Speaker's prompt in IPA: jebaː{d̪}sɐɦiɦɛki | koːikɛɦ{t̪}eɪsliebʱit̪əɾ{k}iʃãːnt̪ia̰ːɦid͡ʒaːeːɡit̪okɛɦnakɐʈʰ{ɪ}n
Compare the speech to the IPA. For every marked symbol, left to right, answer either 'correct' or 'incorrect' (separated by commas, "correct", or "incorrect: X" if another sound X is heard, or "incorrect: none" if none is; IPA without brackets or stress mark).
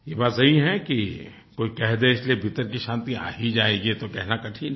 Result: incorrect: t̪, incorrect: d̪, correct, incorrect: i